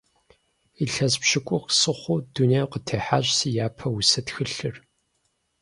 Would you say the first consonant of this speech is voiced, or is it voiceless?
voiceless